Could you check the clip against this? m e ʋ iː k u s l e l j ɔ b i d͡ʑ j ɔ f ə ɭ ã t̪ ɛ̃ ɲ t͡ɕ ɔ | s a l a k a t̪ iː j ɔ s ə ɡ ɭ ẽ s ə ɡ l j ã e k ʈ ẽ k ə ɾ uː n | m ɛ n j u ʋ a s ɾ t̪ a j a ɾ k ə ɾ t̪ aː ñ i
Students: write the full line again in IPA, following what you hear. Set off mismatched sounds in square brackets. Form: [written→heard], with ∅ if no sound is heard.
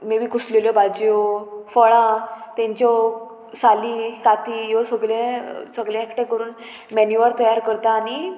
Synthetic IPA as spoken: m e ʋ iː k u s l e l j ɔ b [i→a] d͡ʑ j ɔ f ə ɭ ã t̪ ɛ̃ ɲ t͡ɕ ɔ | s a l [a→i] k a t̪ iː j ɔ s ə ɡ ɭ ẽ s ə ɡ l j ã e k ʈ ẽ k ə ɾ uː n | m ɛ n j u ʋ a [s→∅] ɾ t̪ [a→ə] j a ɾ k ə ɾ t̪ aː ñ i